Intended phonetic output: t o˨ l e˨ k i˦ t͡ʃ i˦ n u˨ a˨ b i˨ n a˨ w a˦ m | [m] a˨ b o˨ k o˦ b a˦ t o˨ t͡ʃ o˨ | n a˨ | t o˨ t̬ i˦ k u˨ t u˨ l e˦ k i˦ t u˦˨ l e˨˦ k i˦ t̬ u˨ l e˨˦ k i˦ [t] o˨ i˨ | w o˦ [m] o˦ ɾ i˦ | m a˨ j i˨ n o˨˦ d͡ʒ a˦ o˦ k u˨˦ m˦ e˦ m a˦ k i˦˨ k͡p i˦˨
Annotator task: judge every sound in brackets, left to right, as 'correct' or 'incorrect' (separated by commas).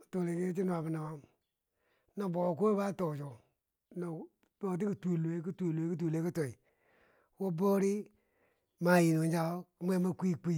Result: incorrect, correct, incorrect